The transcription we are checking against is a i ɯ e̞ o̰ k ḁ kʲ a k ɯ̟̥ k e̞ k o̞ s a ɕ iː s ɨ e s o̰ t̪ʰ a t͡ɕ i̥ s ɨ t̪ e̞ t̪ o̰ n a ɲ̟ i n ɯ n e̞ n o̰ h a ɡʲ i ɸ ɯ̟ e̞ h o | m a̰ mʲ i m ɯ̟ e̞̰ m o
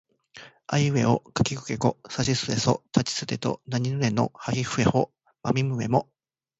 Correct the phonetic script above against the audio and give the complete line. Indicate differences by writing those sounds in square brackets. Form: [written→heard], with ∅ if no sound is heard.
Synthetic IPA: a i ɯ e̞ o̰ k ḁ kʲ [a→i] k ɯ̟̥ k e̞ k o̞ s a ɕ [iː→i] s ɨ e s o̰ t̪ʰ a t͡ɕ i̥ s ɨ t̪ e̞ t̪ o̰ n a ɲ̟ i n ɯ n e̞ n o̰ h a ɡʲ i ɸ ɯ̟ e̞ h o | m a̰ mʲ i m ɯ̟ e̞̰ m o